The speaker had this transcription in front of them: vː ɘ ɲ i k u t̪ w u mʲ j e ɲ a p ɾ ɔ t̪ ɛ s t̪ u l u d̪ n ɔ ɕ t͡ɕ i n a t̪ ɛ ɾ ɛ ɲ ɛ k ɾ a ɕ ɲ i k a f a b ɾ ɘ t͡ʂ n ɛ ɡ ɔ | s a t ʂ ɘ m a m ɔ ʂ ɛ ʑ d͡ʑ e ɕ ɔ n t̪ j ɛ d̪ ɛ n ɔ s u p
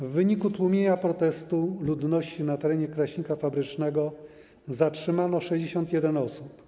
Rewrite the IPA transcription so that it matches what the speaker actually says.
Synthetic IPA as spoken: vː ɘ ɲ i k u t̪ w u mʲ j e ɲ a p ɾ ɔ t̪ ɛ s t̪ u l u d̪ n ɔ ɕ t͡ɕ i n a t̪ ɛ ɾ ɛ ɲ ɛ k ɾ a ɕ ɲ i k a f a b ɾ ɘ t͡ʂ n ɛ ɡ ɔ | z a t ʂ ɘ m a n ɔ ʂ ɛ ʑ d͡ʑ e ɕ ɔ n t̪ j ɛ d̪ ɛ n ɔ s u p

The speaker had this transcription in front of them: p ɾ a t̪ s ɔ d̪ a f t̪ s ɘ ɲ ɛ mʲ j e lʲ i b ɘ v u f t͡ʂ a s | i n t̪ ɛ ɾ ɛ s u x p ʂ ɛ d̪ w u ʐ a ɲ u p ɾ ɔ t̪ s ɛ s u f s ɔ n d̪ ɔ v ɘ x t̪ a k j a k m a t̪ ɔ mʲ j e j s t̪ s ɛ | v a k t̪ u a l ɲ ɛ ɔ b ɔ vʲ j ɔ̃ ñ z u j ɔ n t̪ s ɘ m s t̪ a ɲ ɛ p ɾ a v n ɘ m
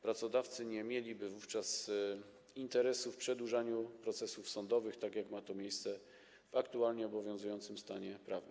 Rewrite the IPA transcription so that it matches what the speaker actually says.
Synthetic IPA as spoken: p ɾ a t̪ s ɔ d̪ a f t̪ s ɘ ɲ ɛ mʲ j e lʲ i b ɘ v u f t͡ʂ a s | i n t̪ ɛ ɾ ɛ s u f p ʂ ɛ d̪ w u ʐ a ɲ u p ɾ ɔ t̪ s ɛ s u f s ɔ n d̪ ɔ v ɘ x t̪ a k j a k m a t̪ ɔ mʲ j e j s t̪ s ɛ | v a k t̪ u a l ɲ ɛ ɔ b ɔ vʲ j ɔ̃ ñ z u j ɔ n t̪ s ɘ m s t̪ a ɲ ɛ p ɾ a v n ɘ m

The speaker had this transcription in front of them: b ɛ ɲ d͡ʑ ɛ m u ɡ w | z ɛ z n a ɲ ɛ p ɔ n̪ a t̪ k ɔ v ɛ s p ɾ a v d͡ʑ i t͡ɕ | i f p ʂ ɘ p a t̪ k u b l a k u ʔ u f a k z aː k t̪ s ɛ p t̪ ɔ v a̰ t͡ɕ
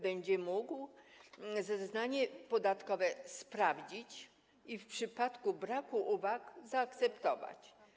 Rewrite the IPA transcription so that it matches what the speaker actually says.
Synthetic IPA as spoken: b ɛ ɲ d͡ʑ ɛ m u ɡ w | z ɛ z n a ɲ ɛ p ɔ d̪ a t̪ k ɔ v ɛ s p ɾ a v d͡ʑ i t͡ɕ | i f p ʂ ɘ p a t̪ k u b ɾ a k u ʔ u v a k z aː k t̪ s ɛ p t̪ ɔ v a̰ t͡ɕ

